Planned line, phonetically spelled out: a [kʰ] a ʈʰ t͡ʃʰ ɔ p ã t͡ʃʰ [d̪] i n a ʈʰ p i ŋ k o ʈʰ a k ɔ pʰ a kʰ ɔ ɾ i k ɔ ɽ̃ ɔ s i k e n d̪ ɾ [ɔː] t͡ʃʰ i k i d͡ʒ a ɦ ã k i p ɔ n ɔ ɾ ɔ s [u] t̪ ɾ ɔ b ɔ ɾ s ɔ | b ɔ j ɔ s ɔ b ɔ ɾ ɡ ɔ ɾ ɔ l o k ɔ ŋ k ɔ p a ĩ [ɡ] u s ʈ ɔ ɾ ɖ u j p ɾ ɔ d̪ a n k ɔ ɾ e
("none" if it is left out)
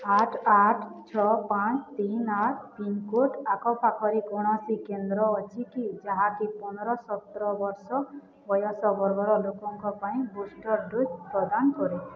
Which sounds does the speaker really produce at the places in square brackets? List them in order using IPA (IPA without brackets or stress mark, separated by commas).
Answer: ʈʰ, t̪, ɔː, ɔ, b